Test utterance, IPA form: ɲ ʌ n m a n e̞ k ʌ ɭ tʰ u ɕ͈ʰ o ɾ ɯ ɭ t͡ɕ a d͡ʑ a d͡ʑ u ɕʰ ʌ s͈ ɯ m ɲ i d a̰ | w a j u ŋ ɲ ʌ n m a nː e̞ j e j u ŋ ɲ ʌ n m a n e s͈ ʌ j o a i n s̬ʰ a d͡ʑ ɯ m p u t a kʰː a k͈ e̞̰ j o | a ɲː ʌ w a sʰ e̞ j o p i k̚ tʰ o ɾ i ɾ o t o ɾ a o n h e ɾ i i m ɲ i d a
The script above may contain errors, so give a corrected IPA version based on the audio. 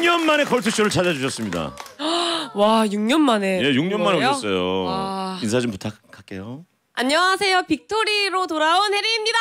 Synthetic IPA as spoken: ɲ ʌ n m a n e̞ k ʌ ɭ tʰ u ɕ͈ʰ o ɾ ɯ ɭ t͡ɕ a d͡ʑ a d͡ʑ u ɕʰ ʌ s͈ ɯ m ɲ i d a̰ | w a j u ŋ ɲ ʌ n m a n e̞ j e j u ŋ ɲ ʌ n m a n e s͈ ʌ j o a i n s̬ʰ a d͡ʑ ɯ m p u tʰ a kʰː a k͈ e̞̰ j o | a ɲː ʌ w a sʰ e̞ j o p i k̚ tʰ o ɾ i ɾ o t o ɾ a o n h e ɾ i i m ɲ i d a